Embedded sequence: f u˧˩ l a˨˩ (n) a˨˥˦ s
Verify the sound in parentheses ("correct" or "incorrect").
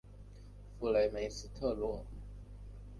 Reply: incorrect